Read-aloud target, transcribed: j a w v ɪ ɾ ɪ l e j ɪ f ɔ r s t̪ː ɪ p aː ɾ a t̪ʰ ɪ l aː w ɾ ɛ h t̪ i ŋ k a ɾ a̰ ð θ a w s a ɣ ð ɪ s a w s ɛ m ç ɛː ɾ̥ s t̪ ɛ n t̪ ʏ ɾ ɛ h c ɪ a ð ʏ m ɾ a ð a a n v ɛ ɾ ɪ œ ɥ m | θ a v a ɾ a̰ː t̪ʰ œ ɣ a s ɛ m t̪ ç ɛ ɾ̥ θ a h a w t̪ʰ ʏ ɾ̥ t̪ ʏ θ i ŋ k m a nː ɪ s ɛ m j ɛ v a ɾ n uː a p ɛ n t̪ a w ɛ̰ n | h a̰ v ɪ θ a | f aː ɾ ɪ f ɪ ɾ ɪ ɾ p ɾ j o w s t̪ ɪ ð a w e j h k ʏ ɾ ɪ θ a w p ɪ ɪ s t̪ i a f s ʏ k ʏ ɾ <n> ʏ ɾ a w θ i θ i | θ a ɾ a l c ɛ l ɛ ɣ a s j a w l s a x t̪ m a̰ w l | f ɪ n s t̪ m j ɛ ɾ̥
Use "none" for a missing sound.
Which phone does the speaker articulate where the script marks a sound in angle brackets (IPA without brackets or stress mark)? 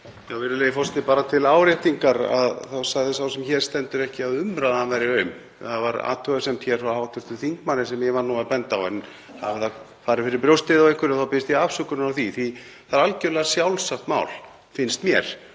n